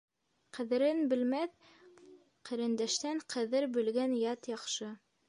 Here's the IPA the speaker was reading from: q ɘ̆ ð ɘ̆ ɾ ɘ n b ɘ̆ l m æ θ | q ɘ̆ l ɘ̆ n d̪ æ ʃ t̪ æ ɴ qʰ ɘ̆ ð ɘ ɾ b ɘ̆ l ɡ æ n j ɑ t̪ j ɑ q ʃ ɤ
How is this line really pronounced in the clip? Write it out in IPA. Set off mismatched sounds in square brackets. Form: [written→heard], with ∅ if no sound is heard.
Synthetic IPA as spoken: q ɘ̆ ð ɘ̆ ɾ ɘ n b ɘ̆ l m æ θ | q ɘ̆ [l→ɾ] ɘ̆ n d̪ æ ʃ t̪ æ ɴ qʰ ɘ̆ ð ɘ ɾ b ɘ̆ l ɡ æ n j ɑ t̪ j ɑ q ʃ ɤ